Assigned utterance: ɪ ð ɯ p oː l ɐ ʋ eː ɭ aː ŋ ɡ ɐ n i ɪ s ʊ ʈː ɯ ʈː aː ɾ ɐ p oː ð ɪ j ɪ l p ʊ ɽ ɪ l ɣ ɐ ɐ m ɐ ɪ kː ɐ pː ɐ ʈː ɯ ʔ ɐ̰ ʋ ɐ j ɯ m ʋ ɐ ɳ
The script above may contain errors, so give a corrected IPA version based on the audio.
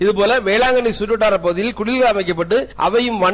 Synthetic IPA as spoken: ɪ ð ɯ p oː l ɐ ʋ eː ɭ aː ŋ ɡ ɐ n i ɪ s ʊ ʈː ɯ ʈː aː ɾ ɐ p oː ð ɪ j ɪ l k ʊ ɽ ɪ l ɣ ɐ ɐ m ɐ ɪ kː ɐ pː ɐ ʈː ɯ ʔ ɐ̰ ʋ ɐ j ɯ m ʋ ɐ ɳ

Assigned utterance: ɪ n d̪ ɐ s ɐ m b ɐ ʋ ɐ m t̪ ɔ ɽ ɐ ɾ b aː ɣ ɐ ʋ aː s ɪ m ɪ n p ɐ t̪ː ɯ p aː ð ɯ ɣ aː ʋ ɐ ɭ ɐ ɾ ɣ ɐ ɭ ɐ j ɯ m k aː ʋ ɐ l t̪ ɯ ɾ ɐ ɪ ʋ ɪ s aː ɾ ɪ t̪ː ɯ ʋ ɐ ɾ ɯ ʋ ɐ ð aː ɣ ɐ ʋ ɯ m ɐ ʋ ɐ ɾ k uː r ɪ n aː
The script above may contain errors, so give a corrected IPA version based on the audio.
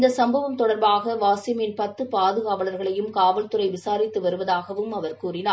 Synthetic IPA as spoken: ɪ n d̪ ɐ s ɐ m b ɐ ʋ ɐ m t̪ ɔ ɽ ɐ ɾ b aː ɣ ɐ ʋ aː s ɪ m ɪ n p ɐ t̪ː ɯ p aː ð ɯ ɣ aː ʋ ɐ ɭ ɐ ɾ ɣ ɐ ɭ ɐ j ɯ m k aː ʋ ɐ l t̪ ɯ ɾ ɐ ɪ ʋ ɪ s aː ɾ ɪ t̪ː ɯ ʋ ɐ ɾ ɯ ʋ ɐ ð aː ɣ ɐ ʋ ɯ m ɐ ʋ ɐ ɾ k uː r ɪ n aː

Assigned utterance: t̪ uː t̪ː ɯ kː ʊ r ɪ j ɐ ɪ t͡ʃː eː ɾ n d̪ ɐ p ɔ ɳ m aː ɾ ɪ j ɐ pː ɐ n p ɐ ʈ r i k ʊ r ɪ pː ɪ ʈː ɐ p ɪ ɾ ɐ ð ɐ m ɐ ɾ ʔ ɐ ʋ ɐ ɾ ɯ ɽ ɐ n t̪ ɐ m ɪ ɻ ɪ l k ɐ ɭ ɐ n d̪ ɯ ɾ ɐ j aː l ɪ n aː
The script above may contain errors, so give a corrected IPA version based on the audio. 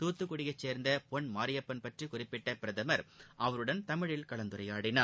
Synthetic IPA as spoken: t̪ uː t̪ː ɯ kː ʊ ɽ ɪ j ɐ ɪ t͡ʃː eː ɾ n d̪ ɐ p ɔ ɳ m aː ɾ ɪ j ɐ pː ɐ n p ɐ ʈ r i k ʊ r ɪ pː ɪ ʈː ɐ p ɪ ɾ ɐ ð ɐ m ɐ ɾ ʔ ɐ ʋ ɐ ɾ ɯ ɽ ɐ n t̪ ɐ m ɪ ɻ ɪ l k ɐ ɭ ɐ n d̪ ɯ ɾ ɐ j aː ɽ ɪ n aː

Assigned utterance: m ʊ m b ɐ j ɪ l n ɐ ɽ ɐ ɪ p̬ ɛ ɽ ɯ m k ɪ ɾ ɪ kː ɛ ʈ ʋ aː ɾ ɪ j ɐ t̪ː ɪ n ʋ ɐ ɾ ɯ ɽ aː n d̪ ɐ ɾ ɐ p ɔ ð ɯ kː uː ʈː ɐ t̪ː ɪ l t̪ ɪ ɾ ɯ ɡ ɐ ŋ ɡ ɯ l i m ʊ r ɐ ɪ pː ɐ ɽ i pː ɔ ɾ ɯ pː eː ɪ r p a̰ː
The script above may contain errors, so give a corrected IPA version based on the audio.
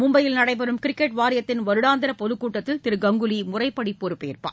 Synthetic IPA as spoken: m ʊ m b ɐ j ɪ l n ɐ ɽ ɐ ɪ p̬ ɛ ɾ ɯ m k ɪ ɾ ɪ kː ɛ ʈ ʋ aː ɾ ɪ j ɐ t̪ː ɪ n ʋ ɐ ɾ ɯ ɽ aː n d̪ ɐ ɾ ɐ p ɔ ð ɯ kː uː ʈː ɐ t̪ː ɪ l t̪ ɪ ɾ ɯ ɡ ɐ ŋ ɡ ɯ l i m ʊ r ɐ ɪ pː ɐ ɽ i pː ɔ ɾ ɯ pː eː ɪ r p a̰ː

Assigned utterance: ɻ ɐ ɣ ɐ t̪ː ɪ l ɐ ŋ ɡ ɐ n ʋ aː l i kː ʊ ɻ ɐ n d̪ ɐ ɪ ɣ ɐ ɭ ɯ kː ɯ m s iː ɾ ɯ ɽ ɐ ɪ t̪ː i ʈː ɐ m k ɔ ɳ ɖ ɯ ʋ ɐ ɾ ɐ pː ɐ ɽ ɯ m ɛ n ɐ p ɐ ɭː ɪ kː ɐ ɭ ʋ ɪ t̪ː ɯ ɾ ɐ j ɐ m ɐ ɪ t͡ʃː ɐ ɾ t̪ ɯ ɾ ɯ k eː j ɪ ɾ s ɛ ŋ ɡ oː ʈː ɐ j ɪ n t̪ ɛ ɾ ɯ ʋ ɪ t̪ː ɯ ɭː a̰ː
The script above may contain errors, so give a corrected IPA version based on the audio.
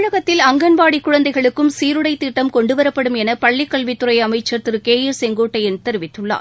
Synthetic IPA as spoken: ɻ ɐ ɣ ɐ t̪ː ɪ l ɐ ŋ ɡ ɐ n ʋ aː ɽ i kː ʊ ɻ ɐ n d̪ ɐ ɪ ɣ ɐ ɭ ɯ kː ɯ m s iː ɾ ɯ ɽ ɐ ɪ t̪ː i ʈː ɐ m k ɔ ɳ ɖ ɯ ʋ ɐ ɾ ɐ pː ɐ ɽ ɯ m ɛ n ɐ p ɐ ɭː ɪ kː ɐ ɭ ʋ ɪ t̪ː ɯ ɾ ɐ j ɐ m ɐ ɪ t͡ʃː ɐ ɾ t̪ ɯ ɾ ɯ k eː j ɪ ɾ s ɛ ŋ ɡ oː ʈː ɐ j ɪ n t̪ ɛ ɾ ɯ ʋ ɪ t̪ː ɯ ɭː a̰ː

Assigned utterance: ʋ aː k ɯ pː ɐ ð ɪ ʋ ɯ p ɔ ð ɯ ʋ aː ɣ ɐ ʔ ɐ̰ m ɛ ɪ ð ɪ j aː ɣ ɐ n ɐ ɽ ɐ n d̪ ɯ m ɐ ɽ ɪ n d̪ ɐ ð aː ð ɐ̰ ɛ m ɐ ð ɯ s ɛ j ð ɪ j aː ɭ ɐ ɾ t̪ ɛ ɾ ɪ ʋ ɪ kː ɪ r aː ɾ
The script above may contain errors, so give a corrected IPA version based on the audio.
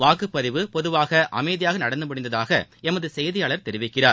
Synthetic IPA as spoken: ʋ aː k ɯ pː ɐ ð ɪ ʋ ɯ p ɔ ð ɯ ʋ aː ɣ ɐ ʔ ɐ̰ m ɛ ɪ ð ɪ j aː ɣ ɐ n ɐ ɽ ɐ n d̪ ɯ m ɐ ɽ ɪ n d̪ ɐ ð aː ɣ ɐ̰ ɛ m ɐ ð ɯ s ɛ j ð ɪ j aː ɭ ɐ ɾ t̪ ɛ ɾ ɪ ʋ ɪ kː ɪ r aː ɾ

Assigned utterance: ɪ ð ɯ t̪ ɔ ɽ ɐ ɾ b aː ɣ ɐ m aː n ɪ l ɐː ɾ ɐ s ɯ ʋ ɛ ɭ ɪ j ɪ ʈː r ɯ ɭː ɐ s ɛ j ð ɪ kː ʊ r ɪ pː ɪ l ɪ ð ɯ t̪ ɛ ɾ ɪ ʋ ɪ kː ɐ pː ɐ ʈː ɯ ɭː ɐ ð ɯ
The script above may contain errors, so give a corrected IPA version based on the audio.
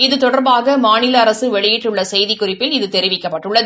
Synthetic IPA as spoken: ɪ ð ɯ t̪ ɔ ɽ ɐ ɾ b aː ɣ ɐ m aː n ɪ l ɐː ɾ ɐ s ɯ ʋ ɛ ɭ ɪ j ɪ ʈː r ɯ ɭː ɐ s ɛ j ð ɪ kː ʊ r ɪ pː ɪ l ɪ ð ɯ t̪ ɛ ɾ ɪ ʋ ɪ kː ɐ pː ɐ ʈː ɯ ɭː ɐ ð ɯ

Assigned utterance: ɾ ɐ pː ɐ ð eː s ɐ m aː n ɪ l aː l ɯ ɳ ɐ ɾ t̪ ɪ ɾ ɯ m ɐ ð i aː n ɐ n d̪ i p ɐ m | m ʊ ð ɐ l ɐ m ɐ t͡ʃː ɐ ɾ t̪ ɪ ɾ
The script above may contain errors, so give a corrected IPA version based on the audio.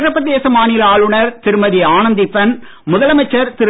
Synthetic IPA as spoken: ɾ ɐ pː ɐ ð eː s ɐ m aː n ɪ l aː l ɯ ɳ ɐ ɾ t̪ ɪ ɾ ɯ m ɐ ð i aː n ɐ n d̪ i p ɐ n | m ʊ ð ɐ l ɐ m ɐ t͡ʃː ɐ ɾ t̪ ɪ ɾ

